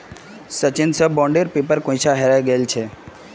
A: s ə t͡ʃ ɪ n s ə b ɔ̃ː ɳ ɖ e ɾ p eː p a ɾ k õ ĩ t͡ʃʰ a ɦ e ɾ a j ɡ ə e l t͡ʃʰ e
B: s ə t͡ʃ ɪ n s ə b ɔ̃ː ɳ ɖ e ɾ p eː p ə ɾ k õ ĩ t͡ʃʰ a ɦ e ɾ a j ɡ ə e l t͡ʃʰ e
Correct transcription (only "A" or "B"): B